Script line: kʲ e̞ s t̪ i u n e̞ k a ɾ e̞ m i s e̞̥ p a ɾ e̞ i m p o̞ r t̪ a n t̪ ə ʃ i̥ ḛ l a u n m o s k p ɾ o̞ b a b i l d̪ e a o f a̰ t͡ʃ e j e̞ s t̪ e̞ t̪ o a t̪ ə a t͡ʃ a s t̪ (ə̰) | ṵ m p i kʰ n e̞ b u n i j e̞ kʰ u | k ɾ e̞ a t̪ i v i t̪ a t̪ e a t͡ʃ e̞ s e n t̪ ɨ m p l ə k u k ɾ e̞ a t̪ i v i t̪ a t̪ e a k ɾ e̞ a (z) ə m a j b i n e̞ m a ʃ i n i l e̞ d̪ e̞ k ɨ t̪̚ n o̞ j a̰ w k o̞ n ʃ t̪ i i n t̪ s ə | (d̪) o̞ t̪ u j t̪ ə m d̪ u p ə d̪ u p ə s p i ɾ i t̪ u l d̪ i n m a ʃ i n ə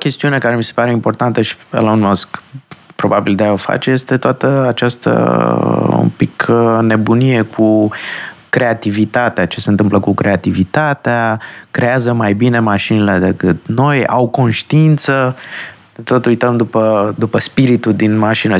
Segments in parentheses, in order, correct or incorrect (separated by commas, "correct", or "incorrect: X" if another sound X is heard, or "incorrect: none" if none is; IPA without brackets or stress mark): correct, correct, incorrect: t̪